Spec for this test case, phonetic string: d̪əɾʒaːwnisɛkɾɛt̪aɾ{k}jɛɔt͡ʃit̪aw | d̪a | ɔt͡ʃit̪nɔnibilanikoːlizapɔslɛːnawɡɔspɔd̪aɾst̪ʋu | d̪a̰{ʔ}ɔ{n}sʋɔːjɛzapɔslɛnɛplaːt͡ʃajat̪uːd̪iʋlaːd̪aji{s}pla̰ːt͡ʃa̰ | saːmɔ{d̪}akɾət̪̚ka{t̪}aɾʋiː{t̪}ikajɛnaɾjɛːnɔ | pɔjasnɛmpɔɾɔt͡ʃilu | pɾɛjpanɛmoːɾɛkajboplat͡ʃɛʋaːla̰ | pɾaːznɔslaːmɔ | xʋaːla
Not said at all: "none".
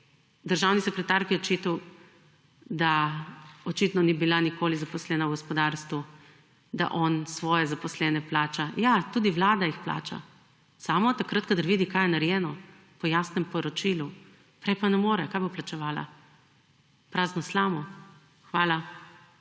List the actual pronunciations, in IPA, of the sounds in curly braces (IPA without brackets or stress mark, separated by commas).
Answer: k, ʔ, n, x, t̪, d̪, d̪